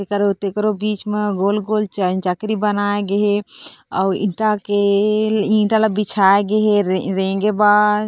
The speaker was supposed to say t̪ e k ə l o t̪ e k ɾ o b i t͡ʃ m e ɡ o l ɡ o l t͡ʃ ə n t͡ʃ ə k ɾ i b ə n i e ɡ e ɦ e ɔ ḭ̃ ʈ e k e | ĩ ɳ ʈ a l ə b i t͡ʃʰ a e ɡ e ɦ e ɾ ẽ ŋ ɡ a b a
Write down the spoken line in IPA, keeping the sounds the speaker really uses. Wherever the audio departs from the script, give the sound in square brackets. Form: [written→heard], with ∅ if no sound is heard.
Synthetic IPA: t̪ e k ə [l→ɾ] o t̪ e k ɾ o b i t͡ʃ m e ɡ o l ɡ o l t͡ʃ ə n t͡ʃ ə k ɾ i b ə n [i→a] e ɡ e ɦ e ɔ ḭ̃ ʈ [e→a] k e | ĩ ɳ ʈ a l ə b i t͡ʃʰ a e ɡ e ɦ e ɾ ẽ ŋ ɡ [a→e] b a